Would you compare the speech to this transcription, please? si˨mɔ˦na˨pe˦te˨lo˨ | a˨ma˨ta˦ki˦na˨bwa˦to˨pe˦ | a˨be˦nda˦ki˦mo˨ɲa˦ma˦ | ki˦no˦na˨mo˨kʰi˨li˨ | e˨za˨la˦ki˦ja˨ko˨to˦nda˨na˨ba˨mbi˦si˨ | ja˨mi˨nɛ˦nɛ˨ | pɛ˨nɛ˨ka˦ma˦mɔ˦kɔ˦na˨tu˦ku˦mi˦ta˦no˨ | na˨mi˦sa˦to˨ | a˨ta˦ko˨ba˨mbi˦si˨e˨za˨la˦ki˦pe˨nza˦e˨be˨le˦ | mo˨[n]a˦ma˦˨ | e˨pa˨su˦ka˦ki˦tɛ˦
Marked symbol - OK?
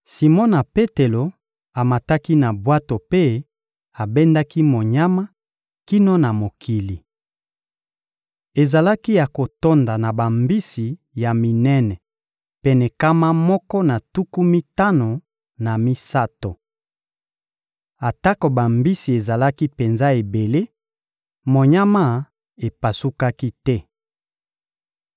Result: no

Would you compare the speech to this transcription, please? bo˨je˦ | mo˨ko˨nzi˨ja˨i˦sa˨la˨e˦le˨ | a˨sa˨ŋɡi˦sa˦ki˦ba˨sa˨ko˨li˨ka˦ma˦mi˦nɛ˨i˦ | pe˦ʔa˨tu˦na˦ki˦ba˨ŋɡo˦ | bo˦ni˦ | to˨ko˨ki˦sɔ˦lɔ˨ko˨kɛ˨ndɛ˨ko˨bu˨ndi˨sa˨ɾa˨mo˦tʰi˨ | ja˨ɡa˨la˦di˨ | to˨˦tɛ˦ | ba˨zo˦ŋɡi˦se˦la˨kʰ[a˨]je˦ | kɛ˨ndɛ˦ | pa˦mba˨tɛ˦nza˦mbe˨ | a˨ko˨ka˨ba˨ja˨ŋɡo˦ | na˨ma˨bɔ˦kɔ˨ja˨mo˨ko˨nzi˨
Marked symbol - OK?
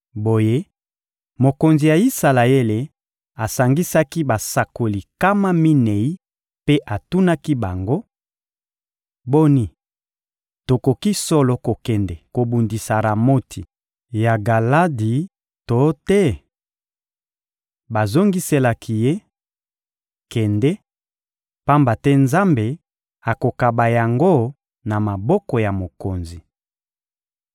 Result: no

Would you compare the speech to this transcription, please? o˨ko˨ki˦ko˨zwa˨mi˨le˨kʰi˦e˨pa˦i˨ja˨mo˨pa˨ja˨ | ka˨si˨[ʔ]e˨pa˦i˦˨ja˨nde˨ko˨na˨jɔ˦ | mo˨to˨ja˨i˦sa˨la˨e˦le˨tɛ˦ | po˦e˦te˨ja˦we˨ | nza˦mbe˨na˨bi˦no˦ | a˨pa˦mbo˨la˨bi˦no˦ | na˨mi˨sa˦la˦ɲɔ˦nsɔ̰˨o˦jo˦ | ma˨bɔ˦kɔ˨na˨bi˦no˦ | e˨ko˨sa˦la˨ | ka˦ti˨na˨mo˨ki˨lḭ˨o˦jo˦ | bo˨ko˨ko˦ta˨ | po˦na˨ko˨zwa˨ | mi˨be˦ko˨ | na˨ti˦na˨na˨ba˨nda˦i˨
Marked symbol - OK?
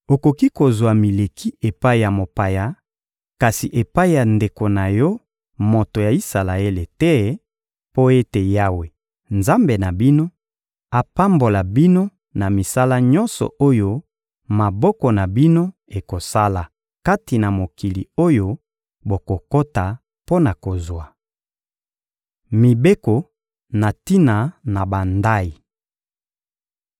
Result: yes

